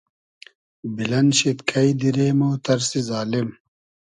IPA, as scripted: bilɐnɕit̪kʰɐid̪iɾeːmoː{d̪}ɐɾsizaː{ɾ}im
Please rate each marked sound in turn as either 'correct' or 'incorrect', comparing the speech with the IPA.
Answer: incorrect, incorrect

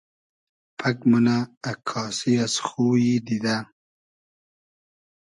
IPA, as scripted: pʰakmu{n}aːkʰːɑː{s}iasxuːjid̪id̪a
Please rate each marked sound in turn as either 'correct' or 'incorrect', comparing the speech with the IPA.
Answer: correct, correct

